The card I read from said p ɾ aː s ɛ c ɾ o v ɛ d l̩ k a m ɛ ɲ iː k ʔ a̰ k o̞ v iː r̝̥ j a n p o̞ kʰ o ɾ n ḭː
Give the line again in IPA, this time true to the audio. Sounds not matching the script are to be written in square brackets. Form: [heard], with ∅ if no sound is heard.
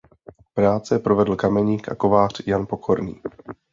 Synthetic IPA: p ɾ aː [t͡s] ɛ [p] ɾ o v ɛ d l̩ k a m ɛ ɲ iː k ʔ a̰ k o̞ v [aː] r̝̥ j a n p o̞ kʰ o ɾ n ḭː